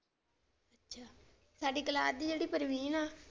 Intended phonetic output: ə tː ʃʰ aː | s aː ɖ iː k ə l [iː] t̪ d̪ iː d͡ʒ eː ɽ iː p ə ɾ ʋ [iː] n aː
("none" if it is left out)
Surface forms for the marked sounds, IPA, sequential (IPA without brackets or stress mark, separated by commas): aː, iː